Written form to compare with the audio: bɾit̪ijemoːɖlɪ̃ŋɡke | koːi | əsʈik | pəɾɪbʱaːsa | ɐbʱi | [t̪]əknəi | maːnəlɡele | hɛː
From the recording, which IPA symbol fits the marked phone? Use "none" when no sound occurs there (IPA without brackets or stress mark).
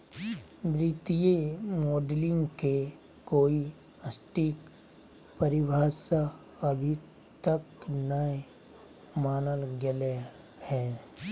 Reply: t̪